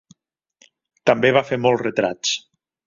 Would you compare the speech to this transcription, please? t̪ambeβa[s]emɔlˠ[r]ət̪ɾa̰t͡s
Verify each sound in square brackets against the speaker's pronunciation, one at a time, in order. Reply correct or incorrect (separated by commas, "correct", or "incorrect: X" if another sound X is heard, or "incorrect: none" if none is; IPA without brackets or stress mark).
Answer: incorrect: f, correct